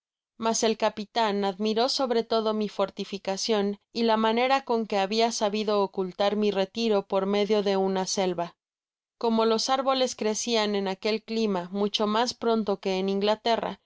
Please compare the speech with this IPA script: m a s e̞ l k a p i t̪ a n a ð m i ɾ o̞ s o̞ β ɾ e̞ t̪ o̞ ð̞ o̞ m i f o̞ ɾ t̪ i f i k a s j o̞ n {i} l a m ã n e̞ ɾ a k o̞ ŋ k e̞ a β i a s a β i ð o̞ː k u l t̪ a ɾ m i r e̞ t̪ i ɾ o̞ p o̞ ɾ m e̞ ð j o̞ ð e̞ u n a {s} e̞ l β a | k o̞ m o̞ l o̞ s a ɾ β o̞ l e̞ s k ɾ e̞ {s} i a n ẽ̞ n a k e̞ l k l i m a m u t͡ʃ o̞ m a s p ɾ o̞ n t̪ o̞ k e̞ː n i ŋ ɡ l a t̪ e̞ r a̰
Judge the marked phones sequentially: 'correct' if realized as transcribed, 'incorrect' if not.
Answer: correct, correct, correct

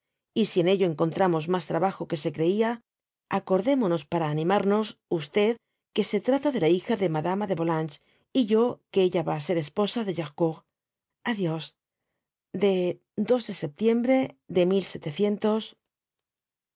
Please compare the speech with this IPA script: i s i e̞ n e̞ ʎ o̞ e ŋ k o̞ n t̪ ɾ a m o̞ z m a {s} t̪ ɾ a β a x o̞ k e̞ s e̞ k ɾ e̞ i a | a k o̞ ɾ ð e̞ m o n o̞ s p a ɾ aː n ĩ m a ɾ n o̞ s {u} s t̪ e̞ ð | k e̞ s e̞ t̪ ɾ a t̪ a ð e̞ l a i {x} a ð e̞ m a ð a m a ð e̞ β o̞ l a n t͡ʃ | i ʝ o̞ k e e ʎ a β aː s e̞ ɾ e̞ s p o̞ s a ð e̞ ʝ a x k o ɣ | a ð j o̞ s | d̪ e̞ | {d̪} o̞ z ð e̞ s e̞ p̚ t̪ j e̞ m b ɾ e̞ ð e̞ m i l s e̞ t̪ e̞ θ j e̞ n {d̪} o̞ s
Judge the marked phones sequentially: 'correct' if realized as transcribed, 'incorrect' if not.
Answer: correct, correct, correct, correct, incorrect

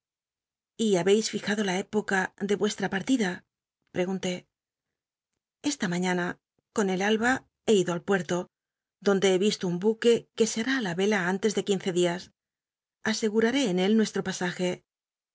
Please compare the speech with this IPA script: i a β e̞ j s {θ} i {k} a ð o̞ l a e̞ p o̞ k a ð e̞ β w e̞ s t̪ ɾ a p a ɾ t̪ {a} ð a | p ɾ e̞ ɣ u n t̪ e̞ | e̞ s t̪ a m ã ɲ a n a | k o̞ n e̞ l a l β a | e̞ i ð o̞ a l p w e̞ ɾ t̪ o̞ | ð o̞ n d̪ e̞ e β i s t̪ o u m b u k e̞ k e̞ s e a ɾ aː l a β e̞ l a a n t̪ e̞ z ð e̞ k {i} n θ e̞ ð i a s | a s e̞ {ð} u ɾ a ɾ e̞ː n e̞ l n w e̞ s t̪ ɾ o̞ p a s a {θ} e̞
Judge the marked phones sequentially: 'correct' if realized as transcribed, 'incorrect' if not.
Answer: incorrect, incorrect, incorrect, correct, incorrect, incorrect

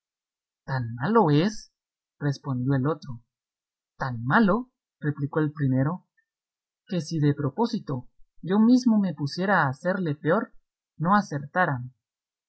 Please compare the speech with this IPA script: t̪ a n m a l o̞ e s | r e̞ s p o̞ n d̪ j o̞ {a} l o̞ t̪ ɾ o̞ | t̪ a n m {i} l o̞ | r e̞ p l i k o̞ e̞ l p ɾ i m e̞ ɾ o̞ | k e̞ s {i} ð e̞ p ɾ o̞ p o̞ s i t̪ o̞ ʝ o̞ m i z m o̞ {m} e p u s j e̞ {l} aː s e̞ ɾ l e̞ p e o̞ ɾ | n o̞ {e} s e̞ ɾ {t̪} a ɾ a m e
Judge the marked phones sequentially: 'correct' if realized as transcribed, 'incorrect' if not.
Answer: incorrect, incorrect, correct, correct, incorrect, incorrect, correct

